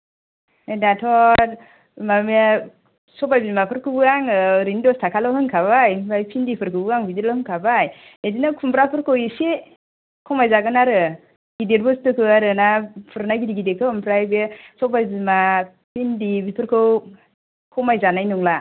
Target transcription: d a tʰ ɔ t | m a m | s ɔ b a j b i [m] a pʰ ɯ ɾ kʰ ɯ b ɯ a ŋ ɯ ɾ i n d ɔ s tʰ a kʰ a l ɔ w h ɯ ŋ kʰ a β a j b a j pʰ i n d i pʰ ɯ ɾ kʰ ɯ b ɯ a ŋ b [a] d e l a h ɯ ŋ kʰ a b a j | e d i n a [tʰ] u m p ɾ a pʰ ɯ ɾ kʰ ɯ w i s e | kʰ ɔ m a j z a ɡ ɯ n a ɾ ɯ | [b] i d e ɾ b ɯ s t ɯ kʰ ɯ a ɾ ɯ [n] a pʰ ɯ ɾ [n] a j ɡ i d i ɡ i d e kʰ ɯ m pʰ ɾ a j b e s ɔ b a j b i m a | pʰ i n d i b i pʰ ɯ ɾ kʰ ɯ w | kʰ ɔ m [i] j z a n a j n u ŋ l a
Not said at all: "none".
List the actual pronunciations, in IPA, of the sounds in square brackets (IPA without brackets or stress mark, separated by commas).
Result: m, i, kʰ, ɡ, n, n, a